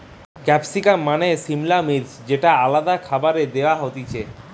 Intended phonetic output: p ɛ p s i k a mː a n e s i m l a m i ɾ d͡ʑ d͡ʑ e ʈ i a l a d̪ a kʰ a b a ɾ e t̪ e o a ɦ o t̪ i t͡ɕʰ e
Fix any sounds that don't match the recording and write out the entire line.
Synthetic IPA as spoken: k ɛ p s i k a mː a n e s i m l a m i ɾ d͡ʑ d͡ʑ e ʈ a a l a d̪ a kʰ a b a ɾ e d̪ e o a ɦ o t̪ i t͡ɕʰ e